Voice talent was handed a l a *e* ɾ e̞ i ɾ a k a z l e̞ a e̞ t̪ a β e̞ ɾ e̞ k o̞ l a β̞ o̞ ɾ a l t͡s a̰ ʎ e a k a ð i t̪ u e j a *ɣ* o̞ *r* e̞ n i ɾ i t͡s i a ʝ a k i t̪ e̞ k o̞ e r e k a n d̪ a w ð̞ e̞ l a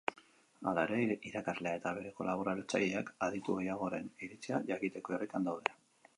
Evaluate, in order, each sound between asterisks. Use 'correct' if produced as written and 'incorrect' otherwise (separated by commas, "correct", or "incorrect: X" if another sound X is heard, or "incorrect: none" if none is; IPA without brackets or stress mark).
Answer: correct, correct, incorrect: ɾ